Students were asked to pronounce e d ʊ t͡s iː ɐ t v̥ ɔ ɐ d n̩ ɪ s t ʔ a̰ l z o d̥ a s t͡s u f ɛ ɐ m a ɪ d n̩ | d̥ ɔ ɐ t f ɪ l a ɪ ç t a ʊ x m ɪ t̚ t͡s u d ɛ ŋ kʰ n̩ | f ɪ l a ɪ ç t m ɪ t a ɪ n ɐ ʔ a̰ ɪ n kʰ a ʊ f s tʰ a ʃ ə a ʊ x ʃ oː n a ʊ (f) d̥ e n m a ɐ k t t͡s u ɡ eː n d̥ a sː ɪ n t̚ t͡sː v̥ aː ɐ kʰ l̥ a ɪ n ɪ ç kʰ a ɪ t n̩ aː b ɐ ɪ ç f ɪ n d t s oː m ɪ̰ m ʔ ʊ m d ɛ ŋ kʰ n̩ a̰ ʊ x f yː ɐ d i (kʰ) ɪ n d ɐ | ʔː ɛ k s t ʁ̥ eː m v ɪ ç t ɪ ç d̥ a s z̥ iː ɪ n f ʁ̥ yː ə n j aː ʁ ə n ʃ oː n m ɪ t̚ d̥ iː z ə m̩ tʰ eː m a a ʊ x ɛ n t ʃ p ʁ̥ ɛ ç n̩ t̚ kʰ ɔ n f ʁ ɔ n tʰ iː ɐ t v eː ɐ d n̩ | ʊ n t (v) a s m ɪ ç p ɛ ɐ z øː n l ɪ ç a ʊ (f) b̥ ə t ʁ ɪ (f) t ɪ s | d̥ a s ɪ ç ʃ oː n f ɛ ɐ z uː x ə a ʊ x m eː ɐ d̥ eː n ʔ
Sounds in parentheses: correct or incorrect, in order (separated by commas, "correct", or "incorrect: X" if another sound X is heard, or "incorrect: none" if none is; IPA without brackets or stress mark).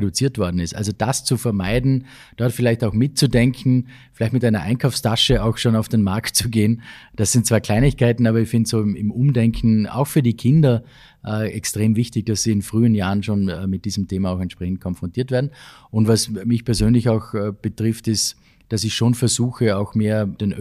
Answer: correct, correct, correct, incorrect: x, correct